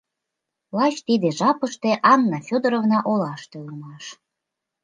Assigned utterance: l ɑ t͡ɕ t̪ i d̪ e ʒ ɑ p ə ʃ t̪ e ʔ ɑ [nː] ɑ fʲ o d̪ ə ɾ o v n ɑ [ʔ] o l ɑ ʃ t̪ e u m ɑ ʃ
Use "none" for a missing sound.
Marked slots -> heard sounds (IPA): nː, ʔ

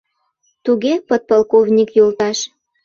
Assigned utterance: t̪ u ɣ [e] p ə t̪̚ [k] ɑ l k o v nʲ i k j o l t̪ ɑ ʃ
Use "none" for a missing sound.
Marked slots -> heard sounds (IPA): e, p

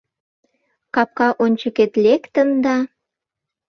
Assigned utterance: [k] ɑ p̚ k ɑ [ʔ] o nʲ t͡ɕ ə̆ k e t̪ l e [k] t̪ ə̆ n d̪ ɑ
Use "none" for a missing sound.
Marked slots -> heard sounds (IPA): k, ʔ, k

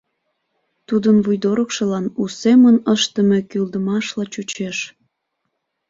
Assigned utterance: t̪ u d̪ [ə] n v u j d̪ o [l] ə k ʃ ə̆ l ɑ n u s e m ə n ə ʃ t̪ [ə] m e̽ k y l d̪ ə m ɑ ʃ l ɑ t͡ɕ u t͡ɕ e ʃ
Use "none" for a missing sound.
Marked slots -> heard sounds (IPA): ə, ɾ, ə

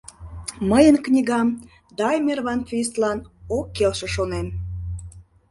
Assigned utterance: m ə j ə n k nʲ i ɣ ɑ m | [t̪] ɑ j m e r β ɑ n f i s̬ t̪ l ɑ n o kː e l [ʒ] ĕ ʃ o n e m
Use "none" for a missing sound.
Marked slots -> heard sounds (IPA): d̪, ʃ

